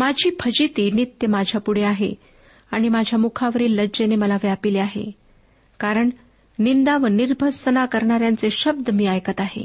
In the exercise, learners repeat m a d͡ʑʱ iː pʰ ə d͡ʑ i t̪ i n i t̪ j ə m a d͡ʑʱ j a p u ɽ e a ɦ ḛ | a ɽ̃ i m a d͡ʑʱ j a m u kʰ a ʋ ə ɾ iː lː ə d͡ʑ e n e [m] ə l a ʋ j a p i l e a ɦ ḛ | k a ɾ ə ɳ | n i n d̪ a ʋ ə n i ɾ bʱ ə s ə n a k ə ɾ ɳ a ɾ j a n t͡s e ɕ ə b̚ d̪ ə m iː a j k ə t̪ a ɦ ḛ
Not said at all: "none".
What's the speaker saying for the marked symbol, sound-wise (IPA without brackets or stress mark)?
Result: m